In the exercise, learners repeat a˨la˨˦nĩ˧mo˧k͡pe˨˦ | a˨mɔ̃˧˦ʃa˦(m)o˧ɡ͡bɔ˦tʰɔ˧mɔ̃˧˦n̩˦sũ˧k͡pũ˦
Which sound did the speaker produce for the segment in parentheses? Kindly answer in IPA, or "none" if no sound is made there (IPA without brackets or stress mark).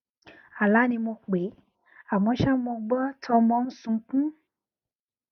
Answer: m